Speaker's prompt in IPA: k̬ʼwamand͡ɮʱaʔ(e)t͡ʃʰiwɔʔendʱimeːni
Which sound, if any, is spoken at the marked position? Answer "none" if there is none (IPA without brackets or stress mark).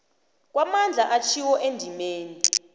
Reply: a